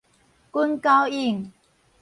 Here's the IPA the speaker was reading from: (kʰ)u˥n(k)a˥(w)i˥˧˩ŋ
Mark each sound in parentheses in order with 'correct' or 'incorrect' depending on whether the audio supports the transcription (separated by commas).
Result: incorrect, correct, correct